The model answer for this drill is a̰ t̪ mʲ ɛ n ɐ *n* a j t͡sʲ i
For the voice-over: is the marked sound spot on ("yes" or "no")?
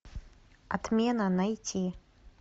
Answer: yes